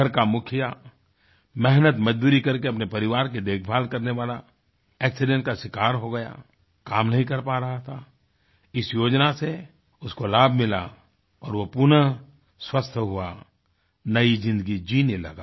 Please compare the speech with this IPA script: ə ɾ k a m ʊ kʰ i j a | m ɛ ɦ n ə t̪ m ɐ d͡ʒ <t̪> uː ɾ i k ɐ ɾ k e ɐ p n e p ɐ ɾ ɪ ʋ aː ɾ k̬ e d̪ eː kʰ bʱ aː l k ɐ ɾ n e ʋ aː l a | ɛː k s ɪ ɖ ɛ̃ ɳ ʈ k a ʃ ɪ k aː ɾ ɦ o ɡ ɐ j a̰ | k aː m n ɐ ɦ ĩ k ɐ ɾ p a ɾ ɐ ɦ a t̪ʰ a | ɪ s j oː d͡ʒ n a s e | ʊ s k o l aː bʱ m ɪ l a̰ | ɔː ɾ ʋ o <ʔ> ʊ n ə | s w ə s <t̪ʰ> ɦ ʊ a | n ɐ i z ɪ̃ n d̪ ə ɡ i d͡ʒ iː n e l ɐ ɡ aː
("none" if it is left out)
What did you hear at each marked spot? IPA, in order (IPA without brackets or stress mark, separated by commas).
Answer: d̪, p, t̪ʰ